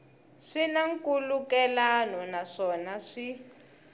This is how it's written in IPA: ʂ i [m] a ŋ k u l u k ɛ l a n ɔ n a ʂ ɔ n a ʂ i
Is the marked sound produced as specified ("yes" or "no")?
no